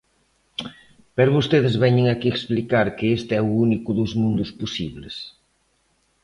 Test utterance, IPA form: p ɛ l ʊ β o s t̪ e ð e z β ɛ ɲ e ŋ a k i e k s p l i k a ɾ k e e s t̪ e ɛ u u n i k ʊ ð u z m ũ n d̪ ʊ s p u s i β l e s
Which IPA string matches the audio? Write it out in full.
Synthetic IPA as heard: p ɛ ɾ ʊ β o s t̪ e ð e z β ɛ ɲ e ŋ a k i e k s p l i k a ɾ k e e s t̪ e ɛ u u n i k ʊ ð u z m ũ n d̪ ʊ s p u s i β l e s

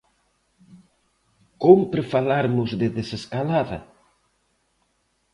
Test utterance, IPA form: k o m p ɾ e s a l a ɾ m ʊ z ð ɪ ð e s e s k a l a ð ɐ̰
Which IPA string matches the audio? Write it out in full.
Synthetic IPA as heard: k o m p ɾ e f a l a ɾ m ʊ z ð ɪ ð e s e s k a l a ð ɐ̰

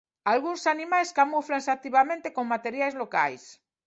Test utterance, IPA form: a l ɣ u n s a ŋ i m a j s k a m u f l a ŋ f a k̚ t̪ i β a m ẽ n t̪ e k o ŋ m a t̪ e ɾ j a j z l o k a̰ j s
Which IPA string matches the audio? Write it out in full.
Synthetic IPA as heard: a l ɣ u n s a n i m a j s k a m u f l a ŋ s a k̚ t̪ i β a m ẽ n t̪ e k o ŋ m a t̪ e ɾ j a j z l o k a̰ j s

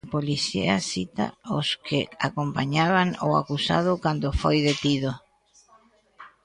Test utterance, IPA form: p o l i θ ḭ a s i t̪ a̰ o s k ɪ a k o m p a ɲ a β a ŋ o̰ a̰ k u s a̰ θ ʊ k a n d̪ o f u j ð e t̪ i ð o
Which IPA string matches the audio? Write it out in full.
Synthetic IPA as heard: p o l i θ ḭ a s i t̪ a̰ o s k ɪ a k o m p a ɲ a β a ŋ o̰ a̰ k u s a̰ ð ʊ k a n d̪ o f o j ð e t̪ i ð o

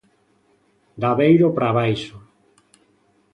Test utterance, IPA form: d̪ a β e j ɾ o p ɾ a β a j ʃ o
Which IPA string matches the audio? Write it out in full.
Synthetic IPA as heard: d̪ a β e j ɾ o p ɾ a β a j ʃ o

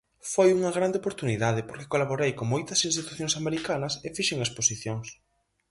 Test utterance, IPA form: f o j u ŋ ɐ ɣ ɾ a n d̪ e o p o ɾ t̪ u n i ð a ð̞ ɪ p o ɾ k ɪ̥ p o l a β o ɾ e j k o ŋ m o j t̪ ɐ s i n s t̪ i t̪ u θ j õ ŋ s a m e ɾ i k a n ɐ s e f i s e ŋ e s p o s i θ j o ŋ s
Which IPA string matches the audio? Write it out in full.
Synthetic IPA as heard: f o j u ŋ ɐ ɣ ɾ a n d̪ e o p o ɾ t̪ u n i ð a ð̞ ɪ p o ɾ k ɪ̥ k o l a β o ɾ e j k o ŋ m o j t̪ ɐ s i n s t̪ i t̪ u θ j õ ŋ s a m e ɾ i k a n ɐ s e f i ʃ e ŋ e s p o s i θ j o ŋ s

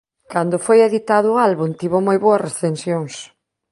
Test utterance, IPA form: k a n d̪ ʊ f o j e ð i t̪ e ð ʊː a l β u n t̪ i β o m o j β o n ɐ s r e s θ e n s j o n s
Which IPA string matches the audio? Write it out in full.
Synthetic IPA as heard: k a n d̪ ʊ f o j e ð i t̪ a ð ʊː a l β u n t̪ i β o m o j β o ɐ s r e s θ e n s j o ŋ s

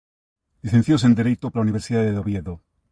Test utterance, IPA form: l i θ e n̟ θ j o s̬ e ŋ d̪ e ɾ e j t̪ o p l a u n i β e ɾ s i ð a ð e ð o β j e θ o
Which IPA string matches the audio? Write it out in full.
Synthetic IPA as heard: l i θ e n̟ θ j o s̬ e n d̪ e ɾ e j t̪ o p l a u n i β e ɾ s i ð a ð e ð o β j e ð o

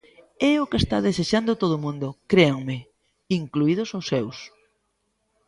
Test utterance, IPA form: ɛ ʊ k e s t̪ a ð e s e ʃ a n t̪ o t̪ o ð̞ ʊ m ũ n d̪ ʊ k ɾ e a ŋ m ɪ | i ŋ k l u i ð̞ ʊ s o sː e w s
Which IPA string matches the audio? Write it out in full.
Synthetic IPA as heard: ɛ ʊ k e s t̪ a ð e s e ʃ a n d̪ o t̪ o ð̞ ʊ m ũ n d̪ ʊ k ɾ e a ŋ m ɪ | i ŋ k l u i ð̞ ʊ s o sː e w s

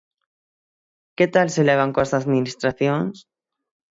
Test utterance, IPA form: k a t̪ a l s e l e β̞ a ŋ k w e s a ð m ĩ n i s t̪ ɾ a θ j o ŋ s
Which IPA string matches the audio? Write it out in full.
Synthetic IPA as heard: k e t̪ a l s e l e β̞ a ŋ k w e s a ð m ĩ n i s t̪ ɾ a θ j o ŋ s

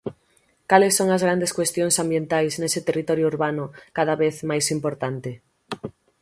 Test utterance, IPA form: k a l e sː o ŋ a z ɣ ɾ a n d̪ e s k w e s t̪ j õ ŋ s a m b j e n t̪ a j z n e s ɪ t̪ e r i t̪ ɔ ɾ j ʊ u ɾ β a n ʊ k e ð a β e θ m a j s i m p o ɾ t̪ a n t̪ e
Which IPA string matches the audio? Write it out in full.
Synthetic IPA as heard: k a l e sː o ŋ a z ɣ ɾ a n d̪ e s k w e s t̪ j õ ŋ s a m b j e n t̪ a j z n e s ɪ t̪ e r i t̪ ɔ ɾ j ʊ u ɾ β a n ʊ k a ð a β e θ m a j s i m p o ɾ t̪ a n t̪ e

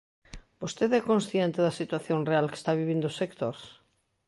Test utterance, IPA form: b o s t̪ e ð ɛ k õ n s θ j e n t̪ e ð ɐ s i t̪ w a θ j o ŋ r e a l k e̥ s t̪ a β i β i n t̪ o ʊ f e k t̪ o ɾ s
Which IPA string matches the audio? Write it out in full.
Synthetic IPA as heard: b o s t̪ e ð ɛ k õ n s θ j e n t̪ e ð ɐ s i t̪ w a θ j o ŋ r e a l k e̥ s t̪ a β i β i n d̪ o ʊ s e k t̪ o ɾ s

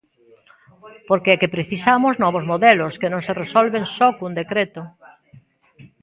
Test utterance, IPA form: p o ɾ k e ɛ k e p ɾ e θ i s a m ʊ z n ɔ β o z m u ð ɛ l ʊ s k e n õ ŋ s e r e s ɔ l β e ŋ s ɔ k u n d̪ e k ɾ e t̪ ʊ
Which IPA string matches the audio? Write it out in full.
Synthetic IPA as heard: p o ɾ k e ɛ k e p ɾ e θ i s a m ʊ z n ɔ β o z m o ð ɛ l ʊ s k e n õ ŋ s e r e s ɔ l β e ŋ s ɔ k u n d̪ e k ɾ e t̪ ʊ

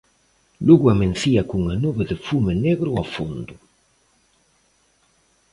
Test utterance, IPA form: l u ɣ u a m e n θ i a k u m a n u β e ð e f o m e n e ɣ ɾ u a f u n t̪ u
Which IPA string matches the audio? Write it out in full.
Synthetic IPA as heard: l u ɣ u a m e n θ i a k u ŋ a n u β e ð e f u m e n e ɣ ɾ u a f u n d̪ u

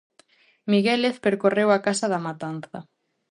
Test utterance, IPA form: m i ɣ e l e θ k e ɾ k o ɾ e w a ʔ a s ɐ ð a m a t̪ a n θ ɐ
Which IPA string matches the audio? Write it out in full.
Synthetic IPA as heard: m i ɣ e l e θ p e ɾ k o r e w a k a s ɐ ð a m a t̪ a n θ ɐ

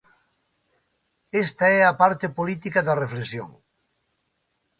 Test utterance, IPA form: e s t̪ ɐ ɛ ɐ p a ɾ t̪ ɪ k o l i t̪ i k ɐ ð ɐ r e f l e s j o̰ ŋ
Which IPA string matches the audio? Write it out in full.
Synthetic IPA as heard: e s t̪ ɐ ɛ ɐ p a ɾ t̪ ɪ p o l i t̪ i k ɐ ð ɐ r e f l e s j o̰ ŋ

